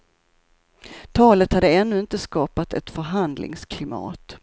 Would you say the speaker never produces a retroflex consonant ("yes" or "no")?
yes